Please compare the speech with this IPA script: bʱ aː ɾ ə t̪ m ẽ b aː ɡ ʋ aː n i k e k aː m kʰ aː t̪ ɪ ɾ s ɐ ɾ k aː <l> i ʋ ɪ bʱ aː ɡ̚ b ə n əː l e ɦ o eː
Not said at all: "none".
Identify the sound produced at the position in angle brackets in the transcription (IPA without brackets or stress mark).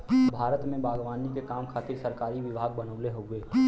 ɾ